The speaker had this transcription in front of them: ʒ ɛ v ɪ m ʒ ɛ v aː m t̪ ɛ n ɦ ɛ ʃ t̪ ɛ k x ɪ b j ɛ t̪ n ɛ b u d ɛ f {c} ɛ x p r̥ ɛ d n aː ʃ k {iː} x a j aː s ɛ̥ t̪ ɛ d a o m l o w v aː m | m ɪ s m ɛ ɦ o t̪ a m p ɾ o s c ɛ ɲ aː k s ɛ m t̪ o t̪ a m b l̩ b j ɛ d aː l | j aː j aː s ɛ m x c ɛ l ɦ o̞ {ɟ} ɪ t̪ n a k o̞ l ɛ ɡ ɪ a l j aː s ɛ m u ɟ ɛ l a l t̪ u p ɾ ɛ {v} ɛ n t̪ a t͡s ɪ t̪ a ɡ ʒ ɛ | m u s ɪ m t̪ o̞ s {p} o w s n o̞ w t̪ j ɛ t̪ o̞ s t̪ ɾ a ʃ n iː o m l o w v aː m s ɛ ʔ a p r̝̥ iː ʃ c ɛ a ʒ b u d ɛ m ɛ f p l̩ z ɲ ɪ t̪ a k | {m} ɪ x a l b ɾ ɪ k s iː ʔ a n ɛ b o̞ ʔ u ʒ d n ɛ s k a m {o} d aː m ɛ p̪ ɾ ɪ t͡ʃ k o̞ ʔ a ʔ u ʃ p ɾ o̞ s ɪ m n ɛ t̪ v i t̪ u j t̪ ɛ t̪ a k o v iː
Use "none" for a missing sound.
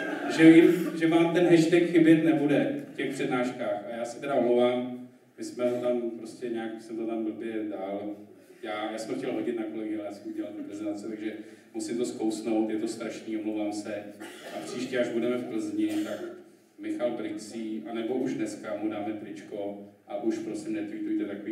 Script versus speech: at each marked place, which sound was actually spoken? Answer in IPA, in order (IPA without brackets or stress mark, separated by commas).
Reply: c, aː, ɟ, z, k, m, u